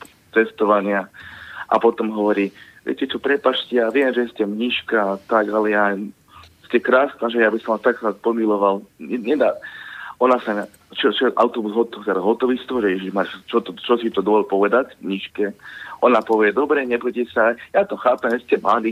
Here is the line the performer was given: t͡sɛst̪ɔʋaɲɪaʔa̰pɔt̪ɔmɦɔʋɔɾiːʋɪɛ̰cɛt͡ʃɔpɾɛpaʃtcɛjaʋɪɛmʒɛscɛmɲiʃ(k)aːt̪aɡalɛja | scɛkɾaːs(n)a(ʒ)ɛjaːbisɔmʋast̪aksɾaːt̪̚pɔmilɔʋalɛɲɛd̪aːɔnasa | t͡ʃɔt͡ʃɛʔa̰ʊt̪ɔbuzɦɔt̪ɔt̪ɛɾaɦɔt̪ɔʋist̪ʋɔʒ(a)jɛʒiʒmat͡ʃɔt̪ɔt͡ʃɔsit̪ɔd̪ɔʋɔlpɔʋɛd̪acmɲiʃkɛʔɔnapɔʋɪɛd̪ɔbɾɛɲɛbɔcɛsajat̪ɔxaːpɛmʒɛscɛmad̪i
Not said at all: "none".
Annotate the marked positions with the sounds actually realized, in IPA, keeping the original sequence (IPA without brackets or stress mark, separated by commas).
k, n, ʒ, ɛ